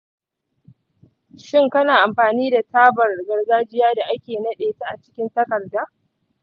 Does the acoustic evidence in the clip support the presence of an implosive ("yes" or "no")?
yes